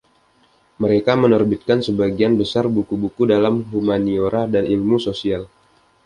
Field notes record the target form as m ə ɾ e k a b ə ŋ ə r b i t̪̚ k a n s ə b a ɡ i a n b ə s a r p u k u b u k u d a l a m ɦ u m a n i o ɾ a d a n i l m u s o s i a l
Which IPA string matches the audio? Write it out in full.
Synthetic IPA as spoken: m ə ɾ e k a m ə n ə r b i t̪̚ k a n s ə b a ɡ i a n b ə s a r b u k u b u k u d a l a m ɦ u m a n i o ɾ a d a n i l m u s o s i a l

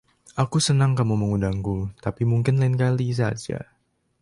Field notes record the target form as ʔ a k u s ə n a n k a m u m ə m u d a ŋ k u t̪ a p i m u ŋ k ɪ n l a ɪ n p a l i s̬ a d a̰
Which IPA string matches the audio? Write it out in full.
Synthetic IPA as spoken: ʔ a k u s ə n a ŋ k a m u m ə ŋ u d a ŋ k u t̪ a p i m u ŋ k ɪ n l a ɪ n k a l i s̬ a d͡ʒ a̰

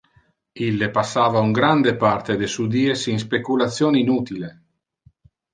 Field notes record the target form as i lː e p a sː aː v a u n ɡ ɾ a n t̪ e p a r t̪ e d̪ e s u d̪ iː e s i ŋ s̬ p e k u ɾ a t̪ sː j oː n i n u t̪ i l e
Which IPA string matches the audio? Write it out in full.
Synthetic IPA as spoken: i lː e p a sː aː v a u ŋ ɡ ɾ a n d̪ e p a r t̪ e d̪ e s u d̪ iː e s i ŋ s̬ p e k u l a t̪ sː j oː n i n u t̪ i l e

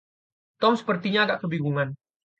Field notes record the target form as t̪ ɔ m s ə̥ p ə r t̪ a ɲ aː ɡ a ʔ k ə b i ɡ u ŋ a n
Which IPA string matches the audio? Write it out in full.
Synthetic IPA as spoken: t̪ ɔ m s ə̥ p ə r t̪ i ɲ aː ɡ a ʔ k ə b i ɡ u ŋ a n

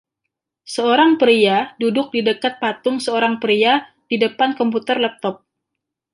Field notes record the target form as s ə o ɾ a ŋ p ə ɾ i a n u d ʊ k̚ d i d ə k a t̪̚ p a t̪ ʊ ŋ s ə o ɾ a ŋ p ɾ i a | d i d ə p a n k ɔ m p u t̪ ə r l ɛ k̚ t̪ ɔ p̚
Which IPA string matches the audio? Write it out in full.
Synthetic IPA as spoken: s ə o ɾ a ŋ p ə ɾ i a d u d ʊ k̚ d i d ə k a t̪̚ p a t̪ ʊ ŋ s ə o ɾ a ŋ p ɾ i a | d i d ə p a n k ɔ m p u t̪ ə r l ɛ p̚ t̪ ɔ p̚

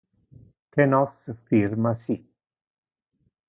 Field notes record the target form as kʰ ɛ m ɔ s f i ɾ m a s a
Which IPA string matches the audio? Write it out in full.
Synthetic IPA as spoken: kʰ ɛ n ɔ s f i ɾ m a s i

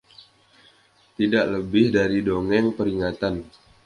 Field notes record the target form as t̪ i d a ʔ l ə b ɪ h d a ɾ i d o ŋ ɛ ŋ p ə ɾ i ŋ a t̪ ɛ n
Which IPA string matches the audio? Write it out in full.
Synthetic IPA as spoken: t̪ i d a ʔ l ə b ɪ h d a ɾ i d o ŋ ɛ ŋ p ə ɾ i ŋ a t̪ a n

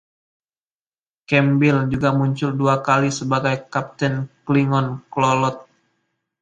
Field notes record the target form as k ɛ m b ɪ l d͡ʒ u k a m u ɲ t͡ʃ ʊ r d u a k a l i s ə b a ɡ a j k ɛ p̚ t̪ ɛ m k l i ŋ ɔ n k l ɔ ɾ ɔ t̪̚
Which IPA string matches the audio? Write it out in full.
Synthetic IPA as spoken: k ɛ m b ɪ l d͡ʒ u ɡ a m u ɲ t͡ʃ ʊ l d u a k a l i s ə b a ɡ a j k a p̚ t̪ ɛ n k l i ŋ ɔ n k l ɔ l ɔ t̪̚

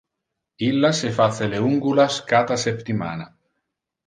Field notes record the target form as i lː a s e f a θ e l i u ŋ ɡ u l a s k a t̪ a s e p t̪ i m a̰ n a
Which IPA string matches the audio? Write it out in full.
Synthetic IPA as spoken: i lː a s e f a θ e l e u ŋ ɡ u l a s k a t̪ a s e p t̪ i m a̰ n a

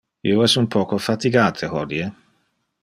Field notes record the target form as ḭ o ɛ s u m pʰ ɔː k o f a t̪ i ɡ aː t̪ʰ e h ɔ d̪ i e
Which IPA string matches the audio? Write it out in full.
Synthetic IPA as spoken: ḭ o ɛ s u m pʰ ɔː k o f a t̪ i ɡ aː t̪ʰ e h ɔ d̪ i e

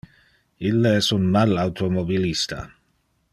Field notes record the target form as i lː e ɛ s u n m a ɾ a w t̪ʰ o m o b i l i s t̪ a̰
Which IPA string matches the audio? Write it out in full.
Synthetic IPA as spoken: i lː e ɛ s u n m a l a w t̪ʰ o m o b i l i s t̪ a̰

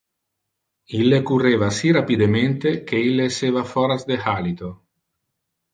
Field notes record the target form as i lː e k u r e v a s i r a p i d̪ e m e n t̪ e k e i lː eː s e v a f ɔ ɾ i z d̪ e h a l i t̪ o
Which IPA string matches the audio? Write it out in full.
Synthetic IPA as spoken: i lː e k u r e v a s i r a p i d̪ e m e n t̪ e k e i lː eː s e v a f ɔ ɾ a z d̪ e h a l i t̪ o

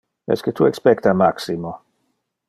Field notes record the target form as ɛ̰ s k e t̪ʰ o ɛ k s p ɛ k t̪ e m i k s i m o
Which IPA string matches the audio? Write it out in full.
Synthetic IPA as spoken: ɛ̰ s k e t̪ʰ u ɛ k s p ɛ k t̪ a m a k s i m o

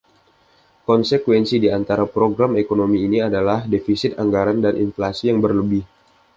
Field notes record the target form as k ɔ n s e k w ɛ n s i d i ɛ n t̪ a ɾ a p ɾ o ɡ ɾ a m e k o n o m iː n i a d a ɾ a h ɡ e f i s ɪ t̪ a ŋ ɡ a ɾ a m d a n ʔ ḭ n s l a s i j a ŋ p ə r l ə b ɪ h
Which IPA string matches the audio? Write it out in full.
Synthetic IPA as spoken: k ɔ n s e k w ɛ n s i d i a n t̪ a ɾ a p ɾ o ɡ ɾ a m e k o n o m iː n i a d a l a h d e f i s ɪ t̪ a ŋ ɡ a ɾ a n d a n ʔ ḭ n f l a s i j a ŋ b ə r l ə b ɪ h

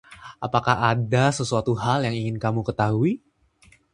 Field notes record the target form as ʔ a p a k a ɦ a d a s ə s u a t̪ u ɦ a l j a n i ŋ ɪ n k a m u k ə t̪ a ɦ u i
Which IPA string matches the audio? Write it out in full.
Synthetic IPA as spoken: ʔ a p a k a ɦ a d a s ə s u a t̪ u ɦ a l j a ŋ i ŋ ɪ n k a m u k ə t̪ a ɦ u i

